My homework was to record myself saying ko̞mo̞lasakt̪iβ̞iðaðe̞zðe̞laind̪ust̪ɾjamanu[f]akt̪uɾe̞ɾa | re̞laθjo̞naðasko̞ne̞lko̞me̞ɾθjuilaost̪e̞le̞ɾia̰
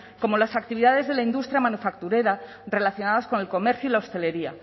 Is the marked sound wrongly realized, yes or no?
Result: no